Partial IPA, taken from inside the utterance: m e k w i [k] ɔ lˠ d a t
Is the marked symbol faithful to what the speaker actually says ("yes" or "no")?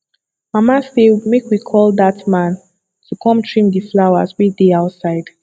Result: no